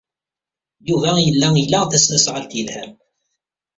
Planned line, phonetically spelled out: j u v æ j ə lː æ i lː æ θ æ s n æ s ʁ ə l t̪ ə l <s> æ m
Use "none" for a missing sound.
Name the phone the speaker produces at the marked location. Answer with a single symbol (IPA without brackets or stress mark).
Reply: h